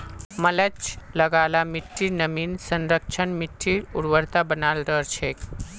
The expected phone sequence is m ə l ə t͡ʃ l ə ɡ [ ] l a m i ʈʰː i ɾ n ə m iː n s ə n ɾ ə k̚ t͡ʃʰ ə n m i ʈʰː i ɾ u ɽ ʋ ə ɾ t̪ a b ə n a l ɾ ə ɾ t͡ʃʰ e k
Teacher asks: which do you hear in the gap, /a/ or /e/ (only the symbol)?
a